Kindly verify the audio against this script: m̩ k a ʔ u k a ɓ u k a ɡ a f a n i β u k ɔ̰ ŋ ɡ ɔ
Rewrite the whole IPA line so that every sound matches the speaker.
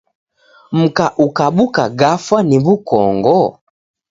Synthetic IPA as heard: m̩ k a ʔ u k a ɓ u k a ɡ a f a n i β u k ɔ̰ ŋ ɡ ɔ